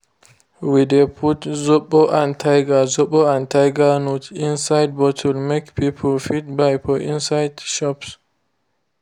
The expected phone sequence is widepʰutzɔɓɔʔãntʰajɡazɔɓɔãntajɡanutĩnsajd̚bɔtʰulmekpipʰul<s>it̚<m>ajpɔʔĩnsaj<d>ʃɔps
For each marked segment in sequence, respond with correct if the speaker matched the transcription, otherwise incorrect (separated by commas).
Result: incorrect, incorrect, correct